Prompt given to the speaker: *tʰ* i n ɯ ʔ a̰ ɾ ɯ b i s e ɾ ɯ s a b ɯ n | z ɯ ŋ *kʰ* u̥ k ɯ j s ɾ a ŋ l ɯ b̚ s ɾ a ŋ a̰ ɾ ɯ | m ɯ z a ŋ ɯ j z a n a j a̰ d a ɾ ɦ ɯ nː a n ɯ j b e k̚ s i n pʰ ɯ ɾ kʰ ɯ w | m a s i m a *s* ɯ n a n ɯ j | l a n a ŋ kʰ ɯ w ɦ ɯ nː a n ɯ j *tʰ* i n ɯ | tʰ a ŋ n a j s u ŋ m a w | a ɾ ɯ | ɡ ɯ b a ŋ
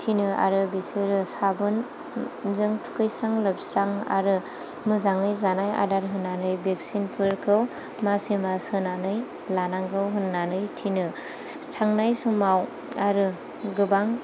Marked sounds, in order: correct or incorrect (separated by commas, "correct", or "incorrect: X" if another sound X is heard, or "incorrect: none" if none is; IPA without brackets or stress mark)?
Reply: correct, incorrect: tʰ, correct, correct